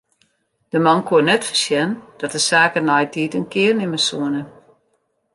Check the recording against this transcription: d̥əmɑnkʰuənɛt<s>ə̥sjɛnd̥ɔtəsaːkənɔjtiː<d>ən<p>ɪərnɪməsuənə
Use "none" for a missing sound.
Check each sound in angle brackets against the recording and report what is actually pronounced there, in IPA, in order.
f, t, k

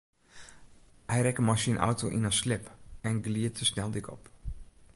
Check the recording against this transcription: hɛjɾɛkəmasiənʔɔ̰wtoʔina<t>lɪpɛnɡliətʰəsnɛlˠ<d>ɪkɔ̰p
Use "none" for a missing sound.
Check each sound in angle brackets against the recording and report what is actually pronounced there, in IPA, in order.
s, d

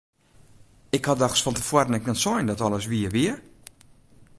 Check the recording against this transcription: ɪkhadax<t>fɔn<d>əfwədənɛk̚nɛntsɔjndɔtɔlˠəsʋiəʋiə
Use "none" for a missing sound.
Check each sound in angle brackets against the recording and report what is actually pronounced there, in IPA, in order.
s, t

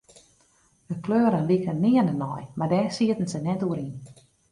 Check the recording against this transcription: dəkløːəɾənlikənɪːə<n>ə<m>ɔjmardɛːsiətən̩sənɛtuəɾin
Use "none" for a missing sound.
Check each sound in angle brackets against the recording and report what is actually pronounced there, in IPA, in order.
n, n

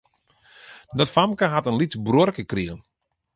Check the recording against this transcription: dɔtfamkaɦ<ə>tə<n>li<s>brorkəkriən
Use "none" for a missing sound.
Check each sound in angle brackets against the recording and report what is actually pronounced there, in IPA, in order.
a, n, t

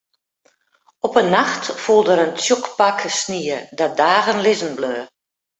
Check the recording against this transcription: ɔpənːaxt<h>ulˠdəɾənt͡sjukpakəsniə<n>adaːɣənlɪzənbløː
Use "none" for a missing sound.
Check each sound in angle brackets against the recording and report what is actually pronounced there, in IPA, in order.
f, d

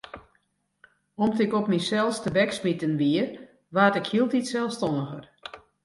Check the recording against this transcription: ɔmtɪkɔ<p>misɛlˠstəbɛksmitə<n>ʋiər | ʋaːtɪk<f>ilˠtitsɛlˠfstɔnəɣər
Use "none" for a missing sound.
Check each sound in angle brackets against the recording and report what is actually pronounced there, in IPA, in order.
p, n, h

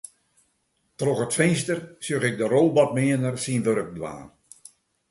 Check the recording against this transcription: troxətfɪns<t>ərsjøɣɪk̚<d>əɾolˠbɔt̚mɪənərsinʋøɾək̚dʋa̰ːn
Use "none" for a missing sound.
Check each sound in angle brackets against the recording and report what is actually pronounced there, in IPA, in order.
t, d

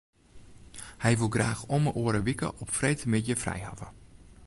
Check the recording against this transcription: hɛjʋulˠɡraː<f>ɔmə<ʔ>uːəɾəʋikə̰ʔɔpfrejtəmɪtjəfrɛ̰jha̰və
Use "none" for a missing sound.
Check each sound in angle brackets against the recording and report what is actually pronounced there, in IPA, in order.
x, ʔ

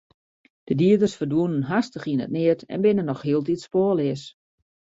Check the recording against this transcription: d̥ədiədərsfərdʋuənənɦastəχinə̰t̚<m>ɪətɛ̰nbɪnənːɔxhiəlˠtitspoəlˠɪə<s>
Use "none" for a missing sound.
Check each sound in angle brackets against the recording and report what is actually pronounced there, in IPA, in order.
n, s

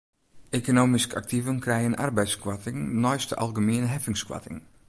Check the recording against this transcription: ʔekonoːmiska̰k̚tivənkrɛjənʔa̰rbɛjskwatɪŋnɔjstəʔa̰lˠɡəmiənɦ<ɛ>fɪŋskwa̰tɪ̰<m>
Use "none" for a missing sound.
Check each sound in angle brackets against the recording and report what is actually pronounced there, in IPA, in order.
ɛ, ŋ

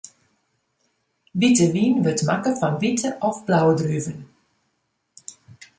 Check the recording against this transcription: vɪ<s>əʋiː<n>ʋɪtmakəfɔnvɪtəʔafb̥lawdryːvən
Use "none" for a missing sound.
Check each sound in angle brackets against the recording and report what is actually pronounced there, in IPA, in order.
t, n

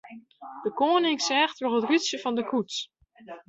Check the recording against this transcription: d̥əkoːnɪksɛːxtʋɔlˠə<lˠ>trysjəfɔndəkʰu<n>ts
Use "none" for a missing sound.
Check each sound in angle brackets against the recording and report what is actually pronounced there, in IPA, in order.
none, none

